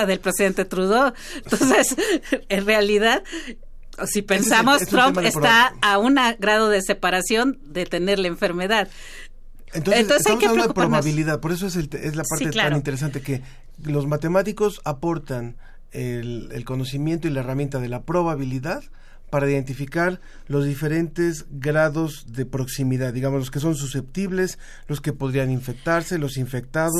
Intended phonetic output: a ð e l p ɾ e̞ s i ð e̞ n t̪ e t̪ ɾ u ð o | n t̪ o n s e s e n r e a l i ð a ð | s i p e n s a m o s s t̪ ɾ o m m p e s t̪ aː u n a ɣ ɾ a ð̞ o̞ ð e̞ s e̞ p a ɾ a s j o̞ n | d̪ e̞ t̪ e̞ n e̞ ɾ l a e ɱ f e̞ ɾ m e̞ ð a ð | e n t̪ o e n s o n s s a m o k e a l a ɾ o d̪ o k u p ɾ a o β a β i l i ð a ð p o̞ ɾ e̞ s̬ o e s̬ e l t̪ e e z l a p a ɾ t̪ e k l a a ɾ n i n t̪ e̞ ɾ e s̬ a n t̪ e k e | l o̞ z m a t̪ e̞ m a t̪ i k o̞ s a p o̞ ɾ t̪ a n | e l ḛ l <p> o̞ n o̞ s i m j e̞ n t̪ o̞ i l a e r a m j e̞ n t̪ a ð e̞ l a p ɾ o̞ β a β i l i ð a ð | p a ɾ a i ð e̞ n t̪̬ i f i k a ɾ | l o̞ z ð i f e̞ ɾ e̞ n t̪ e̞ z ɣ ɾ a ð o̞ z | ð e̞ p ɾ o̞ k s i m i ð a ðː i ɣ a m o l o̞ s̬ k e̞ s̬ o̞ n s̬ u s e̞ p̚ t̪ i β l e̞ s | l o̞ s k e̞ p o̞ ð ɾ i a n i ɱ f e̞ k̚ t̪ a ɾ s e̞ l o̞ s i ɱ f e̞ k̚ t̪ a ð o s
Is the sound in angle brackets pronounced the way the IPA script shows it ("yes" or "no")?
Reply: no